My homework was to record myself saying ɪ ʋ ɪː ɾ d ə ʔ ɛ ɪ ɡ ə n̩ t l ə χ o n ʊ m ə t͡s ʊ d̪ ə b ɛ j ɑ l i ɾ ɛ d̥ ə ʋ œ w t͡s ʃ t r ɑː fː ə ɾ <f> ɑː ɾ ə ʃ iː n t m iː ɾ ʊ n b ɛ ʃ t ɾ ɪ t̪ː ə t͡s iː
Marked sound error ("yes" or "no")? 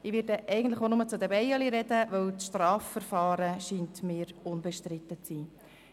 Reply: no